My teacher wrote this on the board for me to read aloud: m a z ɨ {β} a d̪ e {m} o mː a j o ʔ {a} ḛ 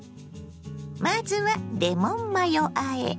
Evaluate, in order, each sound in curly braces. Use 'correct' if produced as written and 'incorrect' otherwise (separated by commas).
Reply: correct, correct, correct